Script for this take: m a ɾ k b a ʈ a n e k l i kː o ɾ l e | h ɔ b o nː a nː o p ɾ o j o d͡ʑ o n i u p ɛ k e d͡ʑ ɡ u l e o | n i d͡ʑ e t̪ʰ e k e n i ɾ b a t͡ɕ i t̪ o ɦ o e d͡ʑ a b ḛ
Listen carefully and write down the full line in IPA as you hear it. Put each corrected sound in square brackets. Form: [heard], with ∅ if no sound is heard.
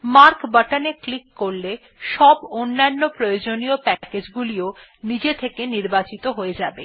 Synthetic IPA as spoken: m a ɾ k b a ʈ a n e k l i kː o ɾ l e | [ʃ] ɔ b o nː a nː o p ɾ o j o d͡ʑ o n i [o] p ɛ k e d͡ʑ ɡ u l [i] o | n i d͡ʑ e t̪ʰ e k e n i ɾ b a t͡ɕ i t̪ o ɦ o e d͡ʑ a b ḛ